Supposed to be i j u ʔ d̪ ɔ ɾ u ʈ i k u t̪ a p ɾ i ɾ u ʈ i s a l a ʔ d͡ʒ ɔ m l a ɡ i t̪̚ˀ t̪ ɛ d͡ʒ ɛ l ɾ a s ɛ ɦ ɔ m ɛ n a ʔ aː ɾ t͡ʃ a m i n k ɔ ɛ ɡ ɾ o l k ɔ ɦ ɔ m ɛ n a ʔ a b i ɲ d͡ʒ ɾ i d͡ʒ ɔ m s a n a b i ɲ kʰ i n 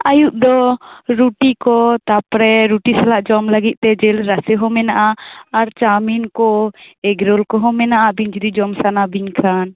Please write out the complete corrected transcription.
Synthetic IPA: a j u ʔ d̪ ɔ ɾ u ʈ i k ɔ t̪ a p ɾ ɛ ɾ u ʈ i s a l a ʔ d͡ʒ ɔ m l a ɡ i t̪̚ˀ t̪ ɛ d͡ʒ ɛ l ɾ a s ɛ ɦ ɔ m ɛ n a ʔ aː ɾ t͡ʃ a m i n k ɔ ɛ ɡ ɾ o l k ɔ ɦ ɔ m ɛ n a ʔ a b i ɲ d͡ʒ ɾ i d͡ʒ ɔ m s a n a b i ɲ kʰ a n